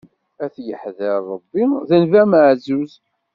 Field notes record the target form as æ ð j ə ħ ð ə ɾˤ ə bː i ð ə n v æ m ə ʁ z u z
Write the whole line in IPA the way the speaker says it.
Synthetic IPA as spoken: æ θ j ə ħ ð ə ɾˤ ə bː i ð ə n v æ m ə ʕ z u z